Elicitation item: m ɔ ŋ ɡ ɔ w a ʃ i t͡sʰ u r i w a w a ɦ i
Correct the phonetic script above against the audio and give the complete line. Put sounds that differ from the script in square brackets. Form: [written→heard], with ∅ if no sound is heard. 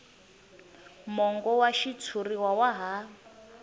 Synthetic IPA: m ɔ ŋ ɡ ɔ w a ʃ i t͡sʰ u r i w a w a ɦ [i→a]